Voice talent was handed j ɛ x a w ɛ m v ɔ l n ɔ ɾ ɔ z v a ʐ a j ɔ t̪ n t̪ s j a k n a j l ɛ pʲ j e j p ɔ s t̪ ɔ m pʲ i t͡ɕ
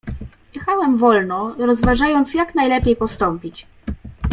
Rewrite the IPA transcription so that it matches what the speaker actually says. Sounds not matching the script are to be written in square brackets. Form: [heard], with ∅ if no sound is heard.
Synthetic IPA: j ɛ x a w ɛ m v ɔ l n ɔ ɾ ɔ z v a ʐ a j ɔ [∅] n t̪ s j a k n a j l ɛ pʲ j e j p ɔ s t̪ ɔ m pʲ i t͡ɕ